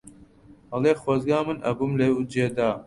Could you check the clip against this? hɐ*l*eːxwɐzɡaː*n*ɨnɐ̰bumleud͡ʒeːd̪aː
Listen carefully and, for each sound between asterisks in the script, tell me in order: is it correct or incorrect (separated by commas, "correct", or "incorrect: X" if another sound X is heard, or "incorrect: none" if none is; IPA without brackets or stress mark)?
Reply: correct, incorrect: m